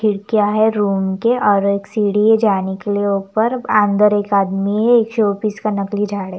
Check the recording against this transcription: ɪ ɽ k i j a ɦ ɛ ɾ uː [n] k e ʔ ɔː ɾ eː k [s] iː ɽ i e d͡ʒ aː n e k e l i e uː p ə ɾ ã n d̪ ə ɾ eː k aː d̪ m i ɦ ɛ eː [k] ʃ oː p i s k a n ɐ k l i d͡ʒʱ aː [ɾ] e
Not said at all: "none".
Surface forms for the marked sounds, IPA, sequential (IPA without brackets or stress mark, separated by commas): m, s, k, ɽ